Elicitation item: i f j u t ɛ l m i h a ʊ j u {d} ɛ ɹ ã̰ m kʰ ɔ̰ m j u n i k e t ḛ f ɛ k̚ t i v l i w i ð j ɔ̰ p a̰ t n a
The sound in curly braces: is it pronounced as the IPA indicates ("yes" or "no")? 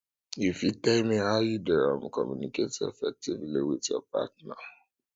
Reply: yes